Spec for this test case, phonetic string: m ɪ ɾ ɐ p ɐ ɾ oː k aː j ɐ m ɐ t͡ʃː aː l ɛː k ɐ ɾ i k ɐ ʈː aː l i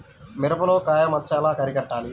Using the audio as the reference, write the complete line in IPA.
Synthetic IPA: m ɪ ɾ ɐ p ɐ l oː k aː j ɐ m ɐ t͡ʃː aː l aː k ɐ ɾ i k ɐ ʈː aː l i